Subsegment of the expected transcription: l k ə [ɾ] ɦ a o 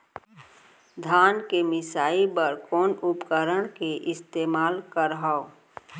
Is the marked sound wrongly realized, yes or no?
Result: no